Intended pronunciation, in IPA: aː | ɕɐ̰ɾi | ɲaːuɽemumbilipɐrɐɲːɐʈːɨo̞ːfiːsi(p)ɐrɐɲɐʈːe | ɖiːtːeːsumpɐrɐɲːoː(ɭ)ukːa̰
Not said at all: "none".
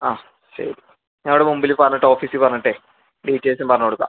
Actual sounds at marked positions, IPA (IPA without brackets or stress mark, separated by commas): p, ɽ